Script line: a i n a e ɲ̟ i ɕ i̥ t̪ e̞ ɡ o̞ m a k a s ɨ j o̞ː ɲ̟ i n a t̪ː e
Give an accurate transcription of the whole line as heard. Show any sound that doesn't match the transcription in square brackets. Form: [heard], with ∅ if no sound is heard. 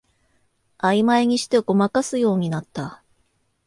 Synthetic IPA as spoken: a i [m] a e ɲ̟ i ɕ i̥ t̪ e̞ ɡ o̞ m a k a s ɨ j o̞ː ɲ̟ i n a t̪ː [a]